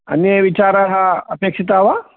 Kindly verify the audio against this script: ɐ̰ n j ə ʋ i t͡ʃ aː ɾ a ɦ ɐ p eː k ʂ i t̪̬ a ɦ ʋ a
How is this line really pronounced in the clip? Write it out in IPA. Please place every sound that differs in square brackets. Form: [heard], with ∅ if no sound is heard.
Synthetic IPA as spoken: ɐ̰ n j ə ʋ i t͡ʃ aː ɾ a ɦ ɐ p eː k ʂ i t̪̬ a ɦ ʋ a